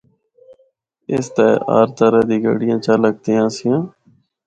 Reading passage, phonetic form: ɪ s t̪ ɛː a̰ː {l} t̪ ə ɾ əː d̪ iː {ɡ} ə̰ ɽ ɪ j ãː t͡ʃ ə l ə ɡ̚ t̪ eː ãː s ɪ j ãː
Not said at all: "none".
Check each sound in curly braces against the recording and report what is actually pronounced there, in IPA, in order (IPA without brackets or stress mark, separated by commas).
ɾ, ɡ